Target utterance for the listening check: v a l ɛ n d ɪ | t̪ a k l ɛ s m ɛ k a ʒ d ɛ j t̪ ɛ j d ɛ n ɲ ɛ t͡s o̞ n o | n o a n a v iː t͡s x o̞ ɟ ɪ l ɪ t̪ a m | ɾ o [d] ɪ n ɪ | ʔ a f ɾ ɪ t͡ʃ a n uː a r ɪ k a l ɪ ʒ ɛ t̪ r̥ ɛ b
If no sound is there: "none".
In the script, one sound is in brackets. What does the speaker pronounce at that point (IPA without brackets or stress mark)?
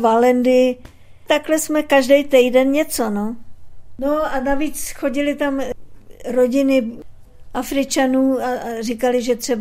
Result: ɟ